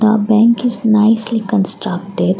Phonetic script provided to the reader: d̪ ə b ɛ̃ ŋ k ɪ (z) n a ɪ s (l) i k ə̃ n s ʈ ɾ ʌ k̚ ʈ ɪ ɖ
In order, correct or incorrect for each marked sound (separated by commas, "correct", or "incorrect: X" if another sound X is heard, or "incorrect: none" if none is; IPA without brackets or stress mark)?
correct, correct